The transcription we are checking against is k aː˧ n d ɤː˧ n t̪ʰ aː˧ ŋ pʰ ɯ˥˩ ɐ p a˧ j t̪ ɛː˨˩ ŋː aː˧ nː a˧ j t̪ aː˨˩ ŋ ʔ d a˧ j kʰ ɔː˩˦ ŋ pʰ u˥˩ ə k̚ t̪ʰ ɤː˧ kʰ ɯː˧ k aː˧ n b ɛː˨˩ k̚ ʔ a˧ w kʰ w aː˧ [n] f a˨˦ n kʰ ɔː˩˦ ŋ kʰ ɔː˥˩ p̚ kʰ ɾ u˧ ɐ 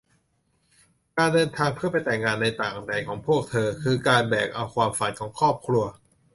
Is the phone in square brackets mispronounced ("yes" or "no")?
yes